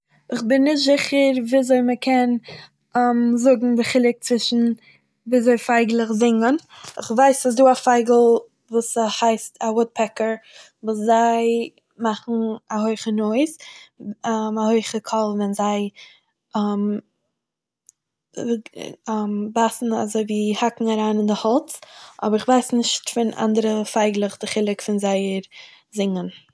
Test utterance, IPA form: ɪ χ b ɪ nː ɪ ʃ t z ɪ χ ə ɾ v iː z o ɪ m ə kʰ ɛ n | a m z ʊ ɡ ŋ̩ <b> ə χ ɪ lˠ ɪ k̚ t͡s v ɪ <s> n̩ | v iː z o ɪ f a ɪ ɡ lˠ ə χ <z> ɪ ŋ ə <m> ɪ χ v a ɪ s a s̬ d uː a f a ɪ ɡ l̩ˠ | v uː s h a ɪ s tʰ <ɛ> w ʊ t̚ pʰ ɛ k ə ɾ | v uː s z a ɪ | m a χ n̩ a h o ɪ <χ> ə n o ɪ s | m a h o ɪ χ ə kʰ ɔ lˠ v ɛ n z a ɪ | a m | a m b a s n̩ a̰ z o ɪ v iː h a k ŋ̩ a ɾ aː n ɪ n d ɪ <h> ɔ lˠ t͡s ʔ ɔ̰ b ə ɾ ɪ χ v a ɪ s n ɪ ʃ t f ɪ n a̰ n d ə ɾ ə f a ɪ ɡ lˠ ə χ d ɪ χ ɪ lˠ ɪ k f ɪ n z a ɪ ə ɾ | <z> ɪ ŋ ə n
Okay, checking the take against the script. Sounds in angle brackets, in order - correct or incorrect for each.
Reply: correct, incorrect: ʃ, correct, incorrect: n, incorrect: a, correct, correct, correct

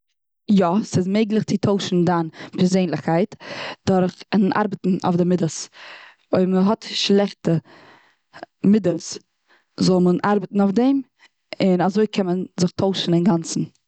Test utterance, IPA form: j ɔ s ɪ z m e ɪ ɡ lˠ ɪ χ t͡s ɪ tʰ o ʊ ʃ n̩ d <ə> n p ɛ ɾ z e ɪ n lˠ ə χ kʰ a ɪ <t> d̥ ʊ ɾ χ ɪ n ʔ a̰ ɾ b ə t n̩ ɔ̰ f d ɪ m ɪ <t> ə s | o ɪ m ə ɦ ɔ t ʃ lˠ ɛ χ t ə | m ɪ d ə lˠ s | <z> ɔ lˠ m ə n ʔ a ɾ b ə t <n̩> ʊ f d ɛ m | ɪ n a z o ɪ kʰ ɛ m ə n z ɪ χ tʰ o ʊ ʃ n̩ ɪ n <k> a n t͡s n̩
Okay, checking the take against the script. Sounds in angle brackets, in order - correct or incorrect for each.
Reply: incorrect: a, correct, incorrect: d, correct, correct, incorrect: ɡ

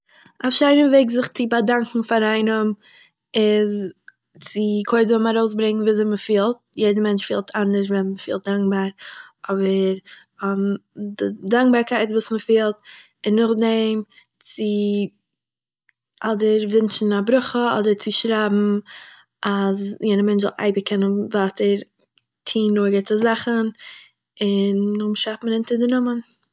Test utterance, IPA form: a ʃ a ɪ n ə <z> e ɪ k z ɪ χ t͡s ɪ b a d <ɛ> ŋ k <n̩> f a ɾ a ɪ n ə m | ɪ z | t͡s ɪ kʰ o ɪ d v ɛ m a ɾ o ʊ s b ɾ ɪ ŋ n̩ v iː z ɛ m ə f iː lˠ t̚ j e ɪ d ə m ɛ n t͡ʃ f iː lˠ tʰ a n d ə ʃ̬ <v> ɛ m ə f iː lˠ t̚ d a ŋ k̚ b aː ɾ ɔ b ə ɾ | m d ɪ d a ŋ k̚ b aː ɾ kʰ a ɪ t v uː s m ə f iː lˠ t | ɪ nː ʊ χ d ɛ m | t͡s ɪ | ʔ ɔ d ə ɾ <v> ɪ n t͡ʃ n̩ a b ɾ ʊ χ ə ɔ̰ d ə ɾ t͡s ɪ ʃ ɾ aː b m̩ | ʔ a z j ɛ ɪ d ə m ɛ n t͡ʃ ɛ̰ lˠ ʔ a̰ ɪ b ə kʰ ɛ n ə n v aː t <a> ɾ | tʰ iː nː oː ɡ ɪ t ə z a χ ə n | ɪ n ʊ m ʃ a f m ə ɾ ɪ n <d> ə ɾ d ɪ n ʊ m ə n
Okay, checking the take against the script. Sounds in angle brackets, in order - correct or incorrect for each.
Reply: incorrect: v, incorrect: a, incorrect: ŋ̩, correct, correct, incorrect: ə, incorrect: t

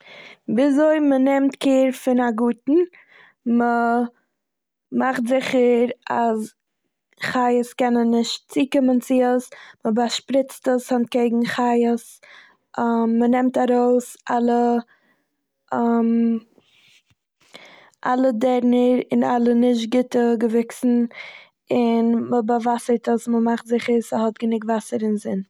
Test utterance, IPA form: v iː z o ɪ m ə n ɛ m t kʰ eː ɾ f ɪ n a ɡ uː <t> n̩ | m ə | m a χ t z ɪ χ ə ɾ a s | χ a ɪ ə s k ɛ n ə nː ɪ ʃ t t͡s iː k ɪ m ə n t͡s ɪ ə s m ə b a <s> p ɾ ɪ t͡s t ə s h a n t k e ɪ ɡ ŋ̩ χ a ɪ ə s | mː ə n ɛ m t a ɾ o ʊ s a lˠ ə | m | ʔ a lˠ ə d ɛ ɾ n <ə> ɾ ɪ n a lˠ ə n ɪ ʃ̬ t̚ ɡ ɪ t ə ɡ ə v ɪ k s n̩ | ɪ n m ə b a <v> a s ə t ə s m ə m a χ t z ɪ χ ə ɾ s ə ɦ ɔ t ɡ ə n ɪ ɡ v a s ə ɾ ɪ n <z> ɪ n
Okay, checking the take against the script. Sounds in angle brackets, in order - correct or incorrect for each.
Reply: correct, incorrect: ʃ, correct, correct, correct

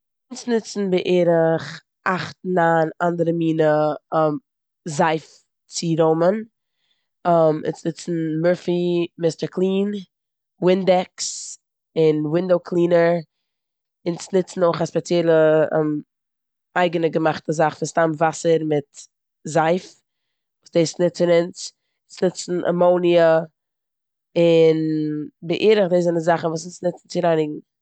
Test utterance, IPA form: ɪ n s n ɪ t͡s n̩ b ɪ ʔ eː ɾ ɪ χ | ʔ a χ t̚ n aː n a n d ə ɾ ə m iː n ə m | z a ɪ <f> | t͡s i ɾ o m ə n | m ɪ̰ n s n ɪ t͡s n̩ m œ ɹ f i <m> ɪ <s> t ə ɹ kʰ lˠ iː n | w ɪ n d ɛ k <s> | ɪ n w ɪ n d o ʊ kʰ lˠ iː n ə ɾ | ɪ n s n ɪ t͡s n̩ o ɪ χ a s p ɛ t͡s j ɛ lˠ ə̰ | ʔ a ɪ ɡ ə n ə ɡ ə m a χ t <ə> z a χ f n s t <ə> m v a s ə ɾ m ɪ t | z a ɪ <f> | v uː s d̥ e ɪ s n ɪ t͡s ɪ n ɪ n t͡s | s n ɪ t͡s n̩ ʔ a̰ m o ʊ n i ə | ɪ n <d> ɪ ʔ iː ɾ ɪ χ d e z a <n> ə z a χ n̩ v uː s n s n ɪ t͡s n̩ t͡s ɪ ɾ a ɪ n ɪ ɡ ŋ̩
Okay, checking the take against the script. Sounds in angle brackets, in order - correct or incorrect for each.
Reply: correct, correct, correct, correct, correct, incorrect: a, correct, incorrect: b, correct

